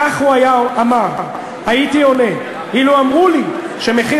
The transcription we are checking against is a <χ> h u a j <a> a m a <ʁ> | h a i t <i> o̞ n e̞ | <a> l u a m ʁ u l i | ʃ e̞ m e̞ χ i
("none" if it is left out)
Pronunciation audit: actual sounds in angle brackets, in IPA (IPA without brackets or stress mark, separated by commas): χ, a, ʁ, i, i